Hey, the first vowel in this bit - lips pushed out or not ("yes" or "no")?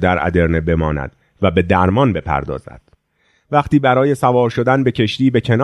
no